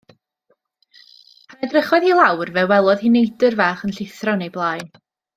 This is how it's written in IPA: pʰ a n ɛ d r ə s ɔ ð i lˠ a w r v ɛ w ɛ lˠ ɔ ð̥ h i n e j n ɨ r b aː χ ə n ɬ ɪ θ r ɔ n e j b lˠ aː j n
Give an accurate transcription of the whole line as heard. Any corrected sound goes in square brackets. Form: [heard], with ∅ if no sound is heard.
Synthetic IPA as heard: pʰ a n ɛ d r ə [χ] ɔ ð i lˠ a w r v ɛ w ɛ lˠ ɔ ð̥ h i n e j [d] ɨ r [v] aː χ ə n ɬ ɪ θ r ɔ n e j b lˠ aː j n